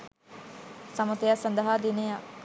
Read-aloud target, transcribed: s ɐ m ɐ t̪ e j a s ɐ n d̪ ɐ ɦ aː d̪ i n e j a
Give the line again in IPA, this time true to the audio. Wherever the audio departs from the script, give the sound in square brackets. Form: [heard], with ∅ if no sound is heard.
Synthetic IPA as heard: s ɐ m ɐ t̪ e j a s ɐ n d̪ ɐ ɦ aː d̪ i n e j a